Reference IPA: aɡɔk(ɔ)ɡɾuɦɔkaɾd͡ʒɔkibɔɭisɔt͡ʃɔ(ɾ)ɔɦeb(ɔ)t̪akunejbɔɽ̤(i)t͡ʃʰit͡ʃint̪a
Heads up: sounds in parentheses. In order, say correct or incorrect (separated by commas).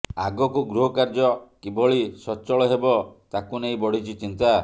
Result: incorrect, incorrect, correct, correct